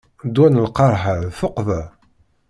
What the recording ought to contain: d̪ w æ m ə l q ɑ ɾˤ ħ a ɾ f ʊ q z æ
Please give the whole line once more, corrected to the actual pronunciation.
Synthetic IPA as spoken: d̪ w æ n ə l q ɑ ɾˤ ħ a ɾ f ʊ q v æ